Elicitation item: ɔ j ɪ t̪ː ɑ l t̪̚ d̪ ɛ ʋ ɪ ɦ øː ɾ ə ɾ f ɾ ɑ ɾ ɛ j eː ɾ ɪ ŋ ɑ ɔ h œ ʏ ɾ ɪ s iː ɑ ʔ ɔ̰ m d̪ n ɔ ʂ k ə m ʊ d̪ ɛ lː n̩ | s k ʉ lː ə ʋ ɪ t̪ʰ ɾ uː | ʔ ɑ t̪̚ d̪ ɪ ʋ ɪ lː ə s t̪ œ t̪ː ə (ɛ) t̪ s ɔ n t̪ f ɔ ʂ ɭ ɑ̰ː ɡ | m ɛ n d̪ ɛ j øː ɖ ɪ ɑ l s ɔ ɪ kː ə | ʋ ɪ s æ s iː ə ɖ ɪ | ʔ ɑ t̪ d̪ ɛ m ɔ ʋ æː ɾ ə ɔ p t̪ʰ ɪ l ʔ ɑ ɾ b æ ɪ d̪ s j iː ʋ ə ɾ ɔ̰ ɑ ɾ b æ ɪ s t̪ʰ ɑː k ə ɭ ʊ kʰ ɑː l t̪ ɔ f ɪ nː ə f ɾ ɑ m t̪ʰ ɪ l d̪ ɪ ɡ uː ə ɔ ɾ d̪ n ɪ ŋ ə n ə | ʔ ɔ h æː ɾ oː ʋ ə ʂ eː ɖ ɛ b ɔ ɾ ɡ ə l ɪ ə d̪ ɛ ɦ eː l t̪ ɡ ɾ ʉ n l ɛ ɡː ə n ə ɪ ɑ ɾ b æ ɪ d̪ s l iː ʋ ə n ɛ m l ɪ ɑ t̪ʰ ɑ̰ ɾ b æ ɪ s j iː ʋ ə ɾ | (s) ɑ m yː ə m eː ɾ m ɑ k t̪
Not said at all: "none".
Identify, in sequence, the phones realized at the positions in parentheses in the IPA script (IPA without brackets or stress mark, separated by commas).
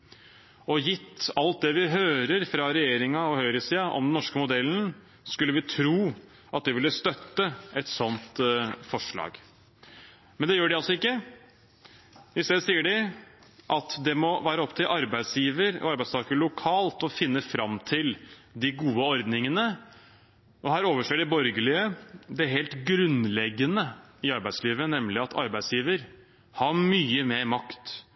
ɛ, h